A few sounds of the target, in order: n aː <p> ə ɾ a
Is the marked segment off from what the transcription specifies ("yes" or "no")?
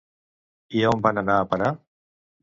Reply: no